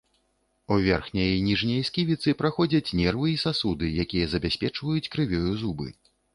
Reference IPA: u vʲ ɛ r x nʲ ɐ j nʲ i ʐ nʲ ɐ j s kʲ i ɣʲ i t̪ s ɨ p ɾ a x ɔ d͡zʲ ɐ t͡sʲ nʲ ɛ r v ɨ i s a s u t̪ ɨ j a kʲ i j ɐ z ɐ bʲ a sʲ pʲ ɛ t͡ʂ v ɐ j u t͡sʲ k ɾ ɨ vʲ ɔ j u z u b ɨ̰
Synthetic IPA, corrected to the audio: u vʲ ɛ r x nʲ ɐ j nʲ i ʐ nʲ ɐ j s kʲ i vʲ i t̪ s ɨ p ɾ a x ɔ d͡zʲ ɐ t͡sʲ nʲ ɛ r v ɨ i s a s u d̪ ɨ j a kʲ i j ɐ z ɐ bʲ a sʲ pʲ ɛ t͡ʂ v ɐ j u t͡sʲ k ɾ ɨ vʲ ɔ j u z u b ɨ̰